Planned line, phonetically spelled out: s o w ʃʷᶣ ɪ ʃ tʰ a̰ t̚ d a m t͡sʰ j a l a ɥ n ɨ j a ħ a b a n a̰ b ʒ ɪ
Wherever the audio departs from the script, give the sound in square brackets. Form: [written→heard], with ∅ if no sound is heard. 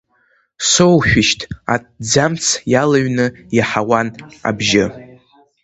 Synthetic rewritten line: s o w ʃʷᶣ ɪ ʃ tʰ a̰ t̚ [d→d͡z] a m t͡sʰ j a l a ɥ n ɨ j a ħ a [b→w] a n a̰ b ʒ ɪ